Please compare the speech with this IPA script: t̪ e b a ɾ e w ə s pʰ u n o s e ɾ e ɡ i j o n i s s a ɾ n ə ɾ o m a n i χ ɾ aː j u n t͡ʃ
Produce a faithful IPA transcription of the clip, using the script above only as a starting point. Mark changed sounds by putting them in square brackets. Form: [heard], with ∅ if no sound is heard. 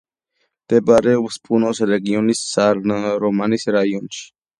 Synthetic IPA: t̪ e b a ɾ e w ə s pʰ u n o s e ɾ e ɡ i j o n i s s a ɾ n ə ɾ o m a n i [s] ɾ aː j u n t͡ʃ

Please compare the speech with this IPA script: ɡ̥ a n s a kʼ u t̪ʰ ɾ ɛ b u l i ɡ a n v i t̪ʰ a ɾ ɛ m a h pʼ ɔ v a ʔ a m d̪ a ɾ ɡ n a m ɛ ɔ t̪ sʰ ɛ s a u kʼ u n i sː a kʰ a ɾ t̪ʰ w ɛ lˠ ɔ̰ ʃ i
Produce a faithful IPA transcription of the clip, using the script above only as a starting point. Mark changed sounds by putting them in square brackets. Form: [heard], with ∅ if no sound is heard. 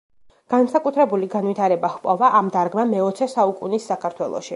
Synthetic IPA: ɡ̥ a n s a kʼ u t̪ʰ ɾ ɛ b u l i ɡ a n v i t̪ʰ a ɾ ɛ [b] a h pʼ ɔ v a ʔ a m d̪ a ɾ ɡ [m] a m ɛ ɔ t̪ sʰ ɛ s a u kʼ u n i sː a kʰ a ɾ t̪ʰ w ɛ lˠ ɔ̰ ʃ i

